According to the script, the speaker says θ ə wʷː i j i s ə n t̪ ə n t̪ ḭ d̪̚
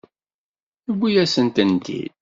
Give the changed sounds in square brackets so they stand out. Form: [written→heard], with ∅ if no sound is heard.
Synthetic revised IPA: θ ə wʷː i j [i→æ] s ə n t̪ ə n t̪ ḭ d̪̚

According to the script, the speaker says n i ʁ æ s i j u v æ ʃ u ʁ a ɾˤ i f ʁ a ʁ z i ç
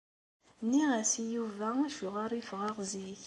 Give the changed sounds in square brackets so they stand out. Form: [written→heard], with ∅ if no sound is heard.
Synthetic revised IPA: n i ʁ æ s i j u v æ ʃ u ʁ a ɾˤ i f ʁ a ʁ z i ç

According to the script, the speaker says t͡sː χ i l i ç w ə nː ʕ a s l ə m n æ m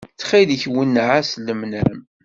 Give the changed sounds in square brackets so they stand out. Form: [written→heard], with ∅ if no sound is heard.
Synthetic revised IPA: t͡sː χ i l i ç w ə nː ʕ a s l ə m n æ m

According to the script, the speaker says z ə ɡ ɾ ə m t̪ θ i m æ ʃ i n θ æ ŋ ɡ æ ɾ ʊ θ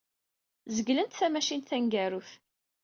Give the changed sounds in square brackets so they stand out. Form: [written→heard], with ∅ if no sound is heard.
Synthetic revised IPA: z ə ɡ [ɾ→l] ə [m→n] t̪ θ [i→æ] m æ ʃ i n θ æ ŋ ɡ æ ɾ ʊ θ

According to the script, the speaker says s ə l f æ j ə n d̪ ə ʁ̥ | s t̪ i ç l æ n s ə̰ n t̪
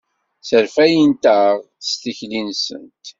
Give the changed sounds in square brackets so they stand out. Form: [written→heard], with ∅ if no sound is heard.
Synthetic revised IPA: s ə [l→ɾ] f æ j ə n [d̪→t̪] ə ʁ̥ | s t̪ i ç l [æ→i] n s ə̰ n t̪

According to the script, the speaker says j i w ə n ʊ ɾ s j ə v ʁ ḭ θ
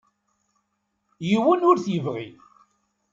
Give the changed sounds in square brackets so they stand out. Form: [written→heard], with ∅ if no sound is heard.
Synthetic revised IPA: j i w ə n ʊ ɾ [s→θ] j ə v ʁ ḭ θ

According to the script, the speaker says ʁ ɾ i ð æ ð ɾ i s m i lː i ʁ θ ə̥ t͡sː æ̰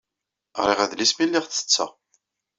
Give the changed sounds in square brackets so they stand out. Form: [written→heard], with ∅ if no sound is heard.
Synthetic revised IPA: ʁ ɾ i [ð→ʁ] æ ð [ɾ→l] i s m i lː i ʁ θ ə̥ t͡sː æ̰

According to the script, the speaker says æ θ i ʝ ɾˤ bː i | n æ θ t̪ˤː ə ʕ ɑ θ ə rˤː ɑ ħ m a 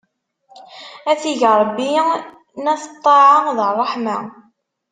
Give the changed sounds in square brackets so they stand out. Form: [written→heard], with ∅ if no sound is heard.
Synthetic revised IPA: æ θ i ʝ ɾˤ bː i | n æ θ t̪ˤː [ə→ɑ] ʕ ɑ [θ→ð] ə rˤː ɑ ħ m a

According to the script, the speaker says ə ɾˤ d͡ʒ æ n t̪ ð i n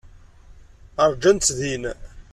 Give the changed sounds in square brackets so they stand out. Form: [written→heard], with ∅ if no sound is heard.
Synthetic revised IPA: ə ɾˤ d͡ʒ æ n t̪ ð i n

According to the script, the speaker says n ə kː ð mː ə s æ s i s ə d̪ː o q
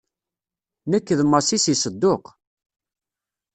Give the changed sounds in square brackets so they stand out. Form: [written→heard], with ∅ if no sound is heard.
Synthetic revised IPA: n ə kː ð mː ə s [æ→i] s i s ə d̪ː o q

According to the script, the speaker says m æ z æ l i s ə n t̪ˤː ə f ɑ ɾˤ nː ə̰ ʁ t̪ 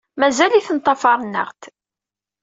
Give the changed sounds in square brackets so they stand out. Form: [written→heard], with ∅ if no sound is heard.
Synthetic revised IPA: m æ z æ l i [s→θ] ə n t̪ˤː [ə→ɑ] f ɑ ɾˤ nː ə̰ ʁ t̪

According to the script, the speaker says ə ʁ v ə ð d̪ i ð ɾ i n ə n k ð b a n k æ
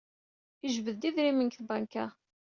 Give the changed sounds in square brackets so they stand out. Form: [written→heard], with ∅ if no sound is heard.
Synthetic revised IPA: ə [ʁ→ʒ] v ə ð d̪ i ð ɾ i [n→m] ə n k [ð→θ] b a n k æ

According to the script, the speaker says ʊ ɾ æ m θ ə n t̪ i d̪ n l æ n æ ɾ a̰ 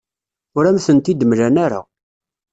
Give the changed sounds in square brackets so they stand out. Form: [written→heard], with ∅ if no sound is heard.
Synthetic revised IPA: ʊ ɾ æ m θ ə n t̪ i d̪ [n→m] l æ n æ ɾ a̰

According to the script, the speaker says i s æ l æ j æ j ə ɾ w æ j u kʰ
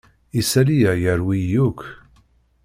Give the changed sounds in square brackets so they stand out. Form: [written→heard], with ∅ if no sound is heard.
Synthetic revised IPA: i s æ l [æ→i] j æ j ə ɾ w [æ→i] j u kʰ

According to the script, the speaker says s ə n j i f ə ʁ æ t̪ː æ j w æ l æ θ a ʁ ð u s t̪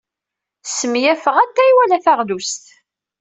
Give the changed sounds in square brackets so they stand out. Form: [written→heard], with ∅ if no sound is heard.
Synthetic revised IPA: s ə [n→m] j [i→æ] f ə ʁ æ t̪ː æ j w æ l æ θ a ʁ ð u s t̪

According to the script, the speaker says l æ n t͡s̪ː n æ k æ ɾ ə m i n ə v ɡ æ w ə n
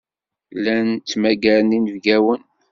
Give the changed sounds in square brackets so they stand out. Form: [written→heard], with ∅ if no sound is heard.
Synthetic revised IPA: l æ n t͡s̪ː [n→m] æ [k→ɡ] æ ɾ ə [m→n] i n ə v ɡ æ w ə n

